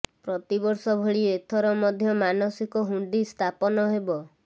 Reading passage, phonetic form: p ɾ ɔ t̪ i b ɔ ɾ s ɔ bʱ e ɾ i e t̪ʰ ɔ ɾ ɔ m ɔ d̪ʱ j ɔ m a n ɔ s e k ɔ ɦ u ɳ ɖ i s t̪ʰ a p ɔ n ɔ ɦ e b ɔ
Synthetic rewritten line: p ɾ ɔ t̪ i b ɔ ɾ s ɔ bʱ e ɭ i e t̪ʰ ɔ ɾ ɔ m ɔ d̪ʱ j ɔ m a n ɔ s i k ɔ ɦ u ɳ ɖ i s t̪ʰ a p ɔ n ɔ ɦ e b ɔ